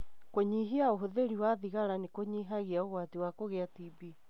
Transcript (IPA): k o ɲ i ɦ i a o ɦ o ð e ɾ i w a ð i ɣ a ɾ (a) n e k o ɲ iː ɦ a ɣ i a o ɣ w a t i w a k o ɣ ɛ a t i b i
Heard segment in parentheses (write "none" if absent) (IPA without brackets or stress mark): a